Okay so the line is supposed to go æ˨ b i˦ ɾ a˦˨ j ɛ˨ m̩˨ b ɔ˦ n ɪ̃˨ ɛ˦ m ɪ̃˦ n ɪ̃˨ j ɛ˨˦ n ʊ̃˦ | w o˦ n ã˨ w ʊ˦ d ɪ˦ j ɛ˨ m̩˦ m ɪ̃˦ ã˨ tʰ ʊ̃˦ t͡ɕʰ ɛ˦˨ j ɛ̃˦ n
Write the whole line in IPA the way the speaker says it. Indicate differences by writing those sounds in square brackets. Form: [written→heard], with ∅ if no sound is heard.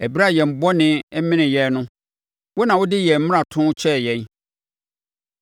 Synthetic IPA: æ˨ b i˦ ɾ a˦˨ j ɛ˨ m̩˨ b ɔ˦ n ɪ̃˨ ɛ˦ m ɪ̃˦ n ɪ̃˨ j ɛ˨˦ n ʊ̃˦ | w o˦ n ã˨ w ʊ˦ d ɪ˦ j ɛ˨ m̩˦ m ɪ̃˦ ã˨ tʰ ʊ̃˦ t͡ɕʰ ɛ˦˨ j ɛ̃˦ n

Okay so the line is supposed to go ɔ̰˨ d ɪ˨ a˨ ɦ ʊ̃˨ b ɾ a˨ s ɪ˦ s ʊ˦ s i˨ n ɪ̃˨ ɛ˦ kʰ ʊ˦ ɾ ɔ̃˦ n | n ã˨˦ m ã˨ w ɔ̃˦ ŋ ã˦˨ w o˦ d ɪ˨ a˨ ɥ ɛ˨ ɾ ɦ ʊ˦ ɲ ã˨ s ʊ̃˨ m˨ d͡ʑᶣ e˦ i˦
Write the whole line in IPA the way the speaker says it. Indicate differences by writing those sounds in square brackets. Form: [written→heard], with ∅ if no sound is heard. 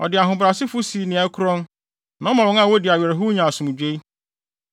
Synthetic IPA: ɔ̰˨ d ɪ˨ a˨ ɦ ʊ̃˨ b ɾ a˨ s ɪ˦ [s→f] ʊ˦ s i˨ n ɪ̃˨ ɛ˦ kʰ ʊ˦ ɾ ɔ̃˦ n | n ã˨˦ m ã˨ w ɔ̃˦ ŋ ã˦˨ w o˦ d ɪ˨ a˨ ɥ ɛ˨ ɾ ɦ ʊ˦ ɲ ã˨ s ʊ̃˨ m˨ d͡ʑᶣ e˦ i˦

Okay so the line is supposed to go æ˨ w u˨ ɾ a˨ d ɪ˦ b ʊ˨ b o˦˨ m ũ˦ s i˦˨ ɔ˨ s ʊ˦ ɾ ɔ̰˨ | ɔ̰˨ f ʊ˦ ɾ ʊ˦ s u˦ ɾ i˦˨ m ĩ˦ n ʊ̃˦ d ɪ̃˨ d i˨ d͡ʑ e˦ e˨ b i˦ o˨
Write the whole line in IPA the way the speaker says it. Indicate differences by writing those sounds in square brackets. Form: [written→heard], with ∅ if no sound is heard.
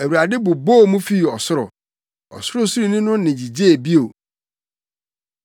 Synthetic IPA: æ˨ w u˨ ɾ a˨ d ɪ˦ b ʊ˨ b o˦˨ m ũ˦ [s→f] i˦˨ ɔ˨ s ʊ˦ ɾ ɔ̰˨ | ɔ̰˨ [f→s] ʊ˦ ɾ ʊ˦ s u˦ ɾ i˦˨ [m→n] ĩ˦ n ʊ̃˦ [d→n] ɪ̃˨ [d→d͡ʑ] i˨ d͡ʑ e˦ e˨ b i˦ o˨

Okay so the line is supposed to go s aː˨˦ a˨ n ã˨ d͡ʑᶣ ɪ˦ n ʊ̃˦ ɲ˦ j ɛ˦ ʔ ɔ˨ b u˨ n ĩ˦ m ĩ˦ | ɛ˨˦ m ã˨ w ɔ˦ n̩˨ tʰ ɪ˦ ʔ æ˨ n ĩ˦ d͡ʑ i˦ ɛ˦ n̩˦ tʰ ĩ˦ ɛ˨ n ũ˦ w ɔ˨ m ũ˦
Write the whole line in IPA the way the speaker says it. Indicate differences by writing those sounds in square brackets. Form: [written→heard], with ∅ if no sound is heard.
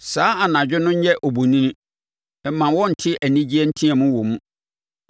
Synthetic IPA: s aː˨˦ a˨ n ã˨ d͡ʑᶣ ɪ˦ n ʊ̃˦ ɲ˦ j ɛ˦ ʔ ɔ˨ b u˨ n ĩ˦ [m→n] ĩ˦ | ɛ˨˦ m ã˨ w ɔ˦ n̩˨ tʰ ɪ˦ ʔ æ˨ n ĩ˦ d͡ʑ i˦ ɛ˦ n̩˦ tʰ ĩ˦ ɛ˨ [n→m] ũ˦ w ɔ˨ m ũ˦

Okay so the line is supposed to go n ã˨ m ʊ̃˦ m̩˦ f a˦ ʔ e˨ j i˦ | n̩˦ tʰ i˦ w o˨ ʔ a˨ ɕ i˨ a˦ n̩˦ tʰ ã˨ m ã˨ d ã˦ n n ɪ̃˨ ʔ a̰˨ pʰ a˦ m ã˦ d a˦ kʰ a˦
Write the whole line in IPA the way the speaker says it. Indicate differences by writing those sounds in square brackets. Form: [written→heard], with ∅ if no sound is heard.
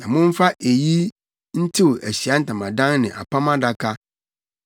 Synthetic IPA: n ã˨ m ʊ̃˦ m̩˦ f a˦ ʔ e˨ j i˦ | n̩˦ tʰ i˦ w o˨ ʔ [a˨→æ˨] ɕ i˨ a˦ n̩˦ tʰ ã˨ m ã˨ d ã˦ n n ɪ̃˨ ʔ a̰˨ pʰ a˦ m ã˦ d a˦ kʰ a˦

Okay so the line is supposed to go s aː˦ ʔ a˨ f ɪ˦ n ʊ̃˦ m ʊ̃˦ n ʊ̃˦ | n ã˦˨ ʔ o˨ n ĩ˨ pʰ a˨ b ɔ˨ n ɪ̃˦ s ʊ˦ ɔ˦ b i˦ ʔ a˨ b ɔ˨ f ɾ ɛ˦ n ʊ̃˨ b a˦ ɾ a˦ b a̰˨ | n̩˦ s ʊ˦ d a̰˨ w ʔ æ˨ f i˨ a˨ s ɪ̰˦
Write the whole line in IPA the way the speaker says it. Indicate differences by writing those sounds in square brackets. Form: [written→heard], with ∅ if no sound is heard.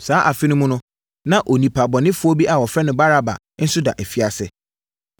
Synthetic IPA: s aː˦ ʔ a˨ f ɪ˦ n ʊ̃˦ m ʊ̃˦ n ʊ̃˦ | n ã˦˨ ʔ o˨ n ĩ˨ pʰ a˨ b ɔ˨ n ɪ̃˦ [s→f] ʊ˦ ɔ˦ b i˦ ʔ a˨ [b→w] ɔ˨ f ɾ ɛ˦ n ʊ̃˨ b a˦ ɾ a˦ b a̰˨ | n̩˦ s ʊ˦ d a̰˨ [w→∅] ʔ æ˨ f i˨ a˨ s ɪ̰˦

